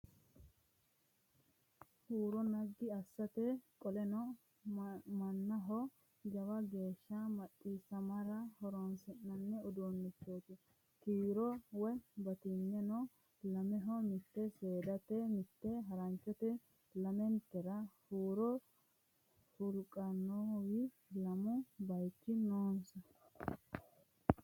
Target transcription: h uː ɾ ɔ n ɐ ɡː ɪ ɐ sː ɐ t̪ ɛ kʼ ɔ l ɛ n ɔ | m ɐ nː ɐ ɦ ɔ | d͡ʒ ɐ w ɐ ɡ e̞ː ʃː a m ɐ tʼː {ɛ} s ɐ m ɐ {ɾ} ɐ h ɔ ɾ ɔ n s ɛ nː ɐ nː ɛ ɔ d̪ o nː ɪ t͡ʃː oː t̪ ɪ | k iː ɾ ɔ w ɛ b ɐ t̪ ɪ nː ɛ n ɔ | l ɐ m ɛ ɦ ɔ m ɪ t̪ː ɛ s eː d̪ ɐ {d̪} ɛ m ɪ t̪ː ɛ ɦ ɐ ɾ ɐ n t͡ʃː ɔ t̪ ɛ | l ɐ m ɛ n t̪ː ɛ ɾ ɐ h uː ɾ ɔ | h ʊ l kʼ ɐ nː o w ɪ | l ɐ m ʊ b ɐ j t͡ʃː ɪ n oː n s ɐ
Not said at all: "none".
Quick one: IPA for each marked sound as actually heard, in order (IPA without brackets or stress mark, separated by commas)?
i, ɾ, t̪